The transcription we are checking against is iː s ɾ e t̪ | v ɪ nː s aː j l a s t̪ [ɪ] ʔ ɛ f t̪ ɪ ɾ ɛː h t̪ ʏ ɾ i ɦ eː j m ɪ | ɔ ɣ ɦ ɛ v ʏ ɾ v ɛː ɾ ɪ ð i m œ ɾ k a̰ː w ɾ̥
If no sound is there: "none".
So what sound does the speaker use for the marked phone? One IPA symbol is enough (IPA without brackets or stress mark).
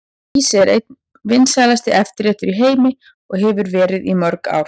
ɪ